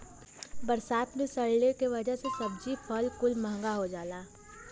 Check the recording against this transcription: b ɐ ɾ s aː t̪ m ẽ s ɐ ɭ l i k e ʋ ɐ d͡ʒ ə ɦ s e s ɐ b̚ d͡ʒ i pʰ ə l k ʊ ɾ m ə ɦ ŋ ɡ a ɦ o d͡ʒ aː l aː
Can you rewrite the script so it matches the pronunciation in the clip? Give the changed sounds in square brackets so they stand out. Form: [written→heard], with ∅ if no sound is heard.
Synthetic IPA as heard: b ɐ ɾ s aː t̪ m ẽ s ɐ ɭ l [i→e] k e ʋ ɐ d͡ʒ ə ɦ s e s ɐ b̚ d͡ʒ i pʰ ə l k ʊ [ɾ→l] m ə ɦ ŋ ɡ a ɦ o d͡ʒ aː l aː